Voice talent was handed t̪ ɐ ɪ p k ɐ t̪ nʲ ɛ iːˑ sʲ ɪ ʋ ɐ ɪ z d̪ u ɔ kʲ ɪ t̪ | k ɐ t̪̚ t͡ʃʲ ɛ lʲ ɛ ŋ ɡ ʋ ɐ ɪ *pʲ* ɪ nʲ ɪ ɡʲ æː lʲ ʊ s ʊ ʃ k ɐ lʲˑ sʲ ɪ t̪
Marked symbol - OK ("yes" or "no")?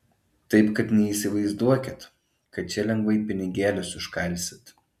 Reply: yes